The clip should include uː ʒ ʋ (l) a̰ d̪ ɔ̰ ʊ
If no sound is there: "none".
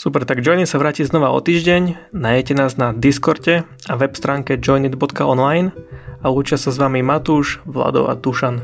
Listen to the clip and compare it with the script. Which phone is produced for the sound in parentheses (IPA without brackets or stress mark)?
l